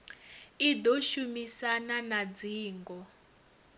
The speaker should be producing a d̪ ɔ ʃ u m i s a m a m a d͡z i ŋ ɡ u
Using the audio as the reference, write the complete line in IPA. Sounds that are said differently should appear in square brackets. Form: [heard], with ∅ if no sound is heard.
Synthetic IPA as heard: [i] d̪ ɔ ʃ u m i s a [n] a [n] a d͡z [iː] ŋ ɡ [ɔ]